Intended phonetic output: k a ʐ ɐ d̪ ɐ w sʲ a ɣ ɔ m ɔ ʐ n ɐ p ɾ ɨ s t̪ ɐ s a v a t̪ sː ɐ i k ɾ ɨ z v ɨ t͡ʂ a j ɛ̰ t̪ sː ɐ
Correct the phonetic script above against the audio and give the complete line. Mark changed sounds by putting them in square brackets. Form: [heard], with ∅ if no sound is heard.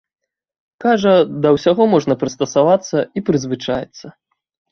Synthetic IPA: k a ʐ ɐ d̪ ɐ w sʲ a ɣ ɔ m ɔ ʐ n ɐ p ɾ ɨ s t̪ ɐ s a v a t̪ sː ɐ i [p] ɾ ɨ z v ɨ t͡ʂ a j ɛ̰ t̪ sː ɐ